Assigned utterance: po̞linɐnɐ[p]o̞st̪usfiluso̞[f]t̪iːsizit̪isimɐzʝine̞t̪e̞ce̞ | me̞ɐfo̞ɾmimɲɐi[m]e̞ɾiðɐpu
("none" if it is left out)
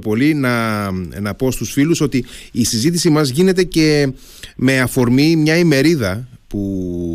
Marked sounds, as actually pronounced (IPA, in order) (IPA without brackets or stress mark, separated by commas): p, none, m